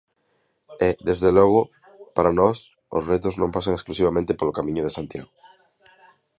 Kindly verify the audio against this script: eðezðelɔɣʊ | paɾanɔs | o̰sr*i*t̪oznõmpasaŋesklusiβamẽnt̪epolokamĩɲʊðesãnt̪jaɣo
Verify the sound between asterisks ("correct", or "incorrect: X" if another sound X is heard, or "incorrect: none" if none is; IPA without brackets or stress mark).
incorrect: e